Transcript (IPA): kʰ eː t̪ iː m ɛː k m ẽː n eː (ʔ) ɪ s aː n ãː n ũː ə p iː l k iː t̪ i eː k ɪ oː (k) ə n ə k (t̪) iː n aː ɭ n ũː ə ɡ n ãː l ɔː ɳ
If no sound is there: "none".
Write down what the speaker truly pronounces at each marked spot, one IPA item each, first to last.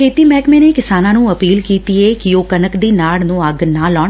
k, k, d̪

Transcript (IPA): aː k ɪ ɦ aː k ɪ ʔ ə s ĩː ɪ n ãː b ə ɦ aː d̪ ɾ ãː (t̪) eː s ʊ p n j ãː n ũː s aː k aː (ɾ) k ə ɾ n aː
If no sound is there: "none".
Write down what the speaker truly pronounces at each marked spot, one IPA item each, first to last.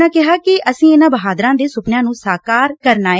d̪, ɾ

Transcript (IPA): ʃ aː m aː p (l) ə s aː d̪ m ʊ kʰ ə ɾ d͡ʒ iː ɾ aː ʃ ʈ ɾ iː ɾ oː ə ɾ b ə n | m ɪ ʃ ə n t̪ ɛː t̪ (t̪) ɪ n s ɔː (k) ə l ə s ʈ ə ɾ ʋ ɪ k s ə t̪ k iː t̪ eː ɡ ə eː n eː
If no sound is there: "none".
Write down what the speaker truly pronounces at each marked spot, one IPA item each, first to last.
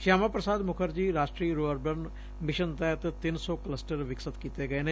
ɾ, t̪, k

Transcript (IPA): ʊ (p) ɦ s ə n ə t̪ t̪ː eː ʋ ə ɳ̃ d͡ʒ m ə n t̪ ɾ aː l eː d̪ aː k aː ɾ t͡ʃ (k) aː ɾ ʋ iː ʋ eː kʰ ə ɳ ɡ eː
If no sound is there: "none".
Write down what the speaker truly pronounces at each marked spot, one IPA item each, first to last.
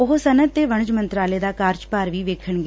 none, p

